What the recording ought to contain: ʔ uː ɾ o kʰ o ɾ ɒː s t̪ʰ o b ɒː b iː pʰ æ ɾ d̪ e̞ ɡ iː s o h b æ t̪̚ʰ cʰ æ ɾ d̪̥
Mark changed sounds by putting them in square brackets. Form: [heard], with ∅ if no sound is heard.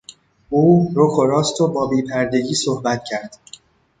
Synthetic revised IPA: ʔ uː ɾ o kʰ o ɾ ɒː s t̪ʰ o b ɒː b iː pʰ æ ɾ d̪ e̞ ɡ iː s o h b æ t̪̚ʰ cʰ æ ɾ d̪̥